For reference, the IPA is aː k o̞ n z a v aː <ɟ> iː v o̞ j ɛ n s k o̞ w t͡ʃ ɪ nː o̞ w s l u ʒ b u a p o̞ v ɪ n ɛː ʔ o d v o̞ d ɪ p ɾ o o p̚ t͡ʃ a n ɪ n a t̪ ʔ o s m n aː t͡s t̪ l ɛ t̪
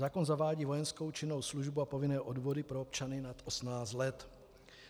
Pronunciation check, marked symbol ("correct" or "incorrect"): correct